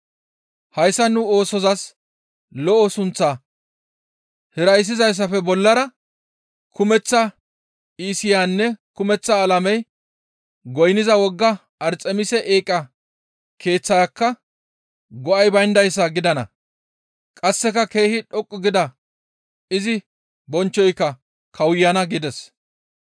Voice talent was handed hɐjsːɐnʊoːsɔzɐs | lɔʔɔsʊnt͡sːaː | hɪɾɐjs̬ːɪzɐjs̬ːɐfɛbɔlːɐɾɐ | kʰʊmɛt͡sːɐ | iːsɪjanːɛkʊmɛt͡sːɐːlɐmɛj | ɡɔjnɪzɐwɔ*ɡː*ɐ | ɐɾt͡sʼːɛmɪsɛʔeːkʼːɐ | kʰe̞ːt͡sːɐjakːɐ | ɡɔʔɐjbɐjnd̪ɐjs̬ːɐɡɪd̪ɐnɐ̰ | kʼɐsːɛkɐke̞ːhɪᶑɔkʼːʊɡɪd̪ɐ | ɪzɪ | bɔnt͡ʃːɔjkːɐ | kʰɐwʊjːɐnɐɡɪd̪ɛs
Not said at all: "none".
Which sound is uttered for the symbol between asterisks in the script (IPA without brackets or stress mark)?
ɡː